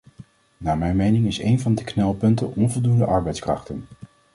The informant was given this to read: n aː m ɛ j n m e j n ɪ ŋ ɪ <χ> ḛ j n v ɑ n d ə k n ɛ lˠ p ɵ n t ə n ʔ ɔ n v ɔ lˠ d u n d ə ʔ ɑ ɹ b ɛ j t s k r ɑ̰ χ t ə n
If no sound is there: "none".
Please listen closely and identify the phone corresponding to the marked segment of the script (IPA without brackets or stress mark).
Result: s